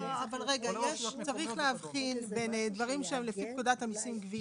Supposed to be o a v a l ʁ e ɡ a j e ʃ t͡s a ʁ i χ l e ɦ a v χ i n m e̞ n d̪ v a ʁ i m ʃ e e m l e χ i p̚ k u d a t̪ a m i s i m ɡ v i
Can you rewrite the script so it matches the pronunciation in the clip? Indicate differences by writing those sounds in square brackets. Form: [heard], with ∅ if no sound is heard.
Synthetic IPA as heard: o a v a l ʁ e ɡ a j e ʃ t͡s a ʁ i χ l e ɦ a v χ i n [b] e̞ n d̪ v a ʁ i m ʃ e e m l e [f] i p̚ k u d a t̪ a m i s i m ɡ v i